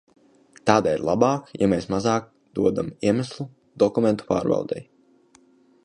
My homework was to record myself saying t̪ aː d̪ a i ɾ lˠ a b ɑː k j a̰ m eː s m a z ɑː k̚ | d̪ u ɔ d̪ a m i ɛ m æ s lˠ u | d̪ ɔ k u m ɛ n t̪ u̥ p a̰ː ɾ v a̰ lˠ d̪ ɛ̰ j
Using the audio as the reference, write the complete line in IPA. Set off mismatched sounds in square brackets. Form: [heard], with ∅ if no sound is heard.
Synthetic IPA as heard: t̪ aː d̪ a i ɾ lˠ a b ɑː k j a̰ m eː s m a z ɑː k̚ | d̪ u ɔ d̪ a m i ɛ m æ s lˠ u | d̪ ɔ k u m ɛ n t̪ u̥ p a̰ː ɾ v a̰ lˠ d̪ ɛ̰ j